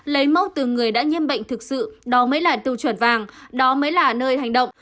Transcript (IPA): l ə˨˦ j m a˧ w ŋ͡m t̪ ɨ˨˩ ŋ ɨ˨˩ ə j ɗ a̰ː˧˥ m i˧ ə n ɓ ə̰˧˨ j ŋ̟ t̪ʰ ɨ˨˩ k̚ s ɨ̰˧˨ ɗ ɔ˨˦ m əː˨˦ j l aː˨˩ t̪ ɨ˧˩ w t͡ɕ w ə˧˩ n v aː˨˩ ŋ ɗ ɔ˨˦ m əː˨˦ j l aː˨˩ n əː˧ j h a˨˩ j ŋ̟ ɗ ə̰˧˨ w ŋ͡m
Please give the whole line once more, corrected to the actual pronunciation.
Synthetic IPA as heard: l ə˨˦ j m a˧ w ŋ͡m t̪ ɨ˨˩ ŋ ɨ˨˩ ə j ɗ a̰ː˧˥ ɲ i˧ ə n ɓ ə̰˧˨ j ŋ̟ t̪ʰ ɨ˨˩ k̚ s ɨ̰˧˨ ɗ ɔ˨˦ m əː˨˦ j l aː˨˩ t̪ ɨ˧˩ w t͡ɕ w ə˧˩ n v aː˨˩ ŋ ɗ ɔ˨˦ m əː˨˦ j l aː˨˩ n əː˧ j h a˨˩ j ŋ̟ ɗ ə̰˧˨ w ŋ͡m